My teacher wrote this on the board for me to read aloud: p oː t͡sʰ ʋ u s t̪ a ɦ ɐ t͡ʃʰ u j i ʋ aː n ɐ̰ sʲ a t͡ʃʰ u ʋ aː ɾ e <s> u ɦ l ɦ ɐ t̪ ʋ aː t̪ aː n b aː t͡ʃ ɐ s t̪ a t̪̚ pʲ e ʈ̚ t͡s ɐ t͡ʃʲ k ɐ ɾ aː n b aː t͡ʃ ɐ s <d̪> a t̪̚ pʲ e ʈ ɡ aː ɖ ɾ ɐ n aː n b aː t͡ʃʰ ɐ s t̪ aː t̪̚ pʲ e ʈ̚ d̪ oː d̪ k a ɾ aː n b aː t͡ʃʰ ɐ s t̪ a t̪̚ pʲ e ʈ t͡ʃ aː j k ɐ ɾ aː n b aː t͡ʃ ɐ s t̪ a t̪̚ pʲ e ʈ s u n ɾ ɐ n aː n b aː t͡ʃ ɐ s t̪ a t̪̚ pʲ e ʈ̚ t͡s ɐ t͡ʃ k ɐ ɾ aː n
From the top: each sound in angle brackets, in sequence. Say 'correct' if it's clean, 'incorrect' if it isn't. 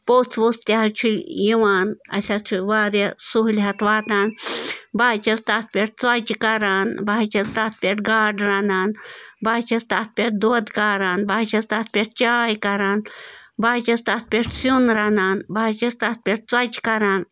correct, incorrect: t̪

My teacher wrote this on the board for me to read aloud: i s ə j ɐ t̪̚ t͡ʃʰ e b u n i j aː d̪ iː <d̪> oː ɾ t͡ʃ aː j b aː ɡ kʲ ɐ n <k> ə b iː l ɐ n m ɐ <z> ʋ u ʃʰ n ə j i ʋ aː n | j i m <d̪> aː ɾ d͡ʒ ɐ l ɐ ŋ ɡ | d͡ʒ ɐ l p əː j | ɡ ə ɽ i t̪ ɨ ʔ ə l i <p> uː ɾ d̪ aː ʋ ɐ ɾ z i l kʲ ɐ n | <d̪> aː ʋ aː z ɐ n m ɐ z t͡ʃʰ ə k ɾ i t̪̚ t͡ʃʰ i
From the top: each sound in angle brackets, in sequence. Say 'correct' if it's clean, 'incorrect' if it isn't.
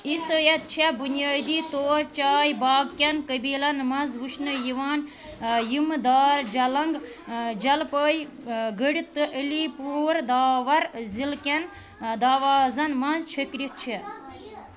incorrect: t̪, correct, correct, correct, correct, correct

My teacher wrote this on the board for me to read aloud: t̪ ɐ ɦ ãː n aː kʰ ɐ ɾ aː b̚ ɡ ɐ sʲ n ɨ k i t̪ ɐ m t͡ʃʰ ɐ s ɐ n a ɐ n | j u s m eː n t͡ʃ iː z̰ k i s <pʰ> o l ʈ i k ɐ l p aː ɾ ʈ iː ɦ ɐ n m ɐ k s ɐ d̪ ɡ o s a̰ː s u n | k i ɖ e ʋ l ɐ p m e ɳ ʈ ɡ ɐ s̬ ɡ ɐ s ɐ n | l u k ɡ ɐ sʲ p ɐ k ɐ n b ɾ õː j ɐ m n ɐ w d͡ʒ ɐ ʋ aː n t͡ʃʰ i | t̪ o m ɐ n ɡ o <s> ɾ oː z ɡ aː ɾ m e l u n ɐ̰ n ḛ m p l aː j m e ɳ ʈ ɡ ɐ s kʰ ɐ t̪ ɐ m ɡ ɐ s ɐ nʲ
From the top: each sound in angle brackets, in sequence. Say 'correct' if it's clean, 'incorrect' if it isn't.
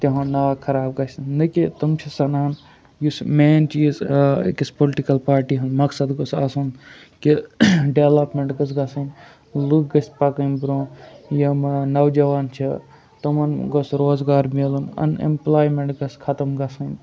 incorrect: p, correct

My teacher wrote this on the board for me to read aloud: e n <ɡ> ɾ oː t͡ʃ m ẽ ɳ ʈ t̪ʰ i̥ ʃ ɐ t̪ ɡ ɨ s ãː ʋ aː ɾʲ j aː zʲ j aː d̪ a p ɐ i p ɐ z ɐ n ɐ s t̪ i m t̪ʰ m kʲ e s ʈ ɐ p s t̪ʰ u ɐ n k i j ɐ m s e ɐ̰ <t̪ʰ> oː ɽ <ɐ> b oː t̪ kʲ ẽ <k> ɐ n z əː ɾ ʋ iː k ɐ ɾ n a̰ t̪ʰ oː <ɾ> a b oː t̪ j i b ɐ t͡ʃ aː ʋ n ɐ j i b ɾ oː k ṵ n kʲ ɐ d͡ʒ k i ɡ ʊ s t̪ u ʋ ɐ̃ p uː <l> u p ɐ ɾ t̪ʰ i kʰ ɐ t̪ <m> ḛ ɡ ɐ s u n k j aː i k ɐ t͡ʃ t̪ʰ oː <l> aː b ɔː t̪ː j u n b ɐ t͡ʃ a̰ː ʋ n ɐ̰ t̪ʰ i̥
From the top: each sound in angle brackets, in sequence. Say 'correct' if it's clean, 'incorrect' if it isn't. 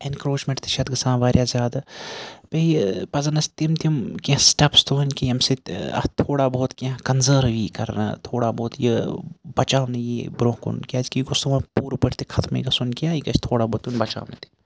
incorrect: k, correct, incorrect: a, correct, incorrect: ɽ, incorrect: ɾ, correct, incorrect: ɽ

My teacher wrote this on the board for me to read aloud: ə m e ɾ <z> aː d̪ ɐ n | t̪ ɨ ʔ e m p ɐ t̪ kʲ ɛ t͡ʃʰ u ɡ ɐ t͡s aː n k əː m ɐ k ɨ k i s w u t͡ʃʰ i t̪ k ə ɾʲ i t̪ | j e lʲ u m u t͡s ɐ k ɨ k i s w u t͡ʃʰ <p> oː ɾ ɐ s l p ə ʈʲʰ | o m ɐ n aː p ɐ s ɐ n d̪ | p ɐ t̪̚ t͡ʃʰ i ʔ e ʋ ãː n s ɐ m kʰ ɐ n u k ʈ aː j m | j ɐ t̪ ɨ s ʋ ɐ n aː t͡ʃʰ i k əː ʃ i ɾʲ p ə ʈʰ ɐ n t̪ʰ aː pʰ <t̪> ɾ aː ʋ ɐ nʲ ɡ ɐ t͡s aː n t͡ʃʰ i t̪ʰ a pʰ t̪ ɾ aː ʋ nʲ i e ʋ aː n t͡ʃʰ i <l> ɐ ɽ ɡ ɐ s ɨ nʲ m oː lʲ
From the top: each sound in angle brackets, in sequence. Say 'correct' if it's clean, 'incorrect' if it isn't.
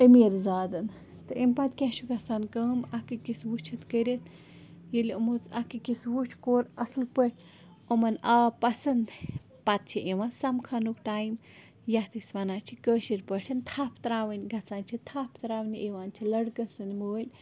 correct, incorrect: k, correct, correct

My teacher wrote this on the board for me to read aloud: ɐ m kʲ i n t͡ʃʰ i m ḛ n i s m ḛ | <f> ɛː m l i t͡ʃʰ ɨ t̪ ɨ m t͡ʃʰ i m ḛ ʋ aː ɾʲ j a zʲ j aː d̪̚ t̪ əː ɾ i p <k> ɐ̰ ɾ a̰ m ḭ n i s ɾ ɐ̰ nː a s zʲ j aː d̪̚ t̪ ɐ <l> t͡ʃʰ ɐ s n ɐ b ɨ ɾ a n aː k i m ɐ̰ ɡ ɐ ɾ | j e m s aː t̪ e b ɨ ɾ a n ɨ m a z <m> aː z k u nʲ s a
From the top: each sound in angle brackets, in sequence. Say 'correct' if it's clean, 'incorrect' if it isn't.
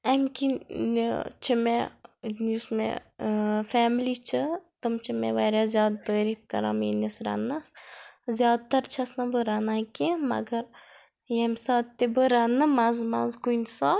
correct, correct, incorrect: ɾ, correct

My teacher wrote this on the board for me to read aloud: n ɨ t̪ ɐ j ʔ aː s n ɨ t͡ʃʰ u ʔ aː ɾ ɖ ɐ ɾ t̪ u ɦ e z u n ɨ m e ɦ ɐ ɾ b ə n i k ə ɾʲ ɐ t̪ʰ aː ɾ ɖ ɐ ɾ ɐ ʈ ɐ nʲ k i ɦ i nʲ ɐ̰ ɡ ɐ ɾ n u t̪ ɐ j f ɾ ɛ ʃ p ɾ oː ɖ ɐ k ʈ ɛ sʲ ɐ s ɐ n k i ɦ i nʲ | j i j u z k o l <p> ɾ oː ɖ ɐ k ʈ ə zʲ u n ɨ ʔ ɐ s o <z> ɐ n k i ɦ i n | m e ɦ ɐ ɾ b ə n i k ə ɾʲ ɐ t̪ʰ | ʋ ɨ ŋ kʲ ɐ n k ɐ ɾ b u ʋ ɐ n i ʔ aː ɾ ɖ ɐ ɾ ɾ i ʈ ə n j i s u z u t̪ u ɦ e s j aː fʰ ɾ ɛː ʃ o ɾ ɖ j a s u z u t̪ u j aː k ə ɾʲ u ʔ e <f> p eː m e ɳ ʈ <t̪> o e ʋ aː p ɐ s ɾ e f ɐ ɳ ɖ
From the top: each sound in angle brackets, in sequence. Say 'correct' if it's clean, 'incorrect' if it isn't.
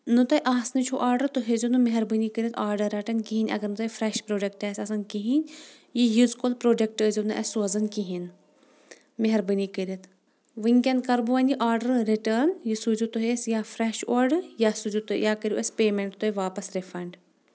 correct, correct, incorrect: s, correct

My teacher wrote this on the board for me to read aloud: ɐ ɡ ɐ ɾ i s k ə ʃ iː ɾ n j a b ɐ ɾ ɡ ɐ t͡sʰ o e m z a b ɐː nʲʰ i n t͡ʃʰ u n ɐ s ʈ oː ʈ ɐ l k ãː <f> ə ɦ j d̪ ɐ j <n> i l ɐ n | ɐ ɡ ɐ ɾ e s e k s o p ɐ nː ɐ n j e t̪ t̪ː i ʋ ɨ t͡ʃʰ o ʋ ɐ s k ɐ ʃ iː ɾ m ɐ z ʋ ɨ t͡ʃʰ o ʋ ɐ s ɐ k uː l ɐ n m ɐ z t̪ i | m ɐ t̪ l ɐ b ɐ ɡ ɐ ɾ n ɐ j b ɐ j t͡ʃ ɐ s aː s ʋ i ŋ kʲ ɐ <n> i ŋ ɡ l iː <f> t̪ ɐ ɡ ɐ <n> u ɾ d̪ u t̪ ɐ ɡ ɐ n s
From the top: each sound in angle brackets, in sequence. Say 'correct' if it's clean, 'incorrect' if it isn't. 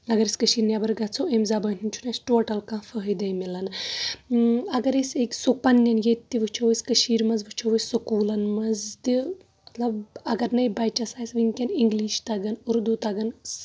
correct, incorrect: m, correct, incorrect: ʃ, correct

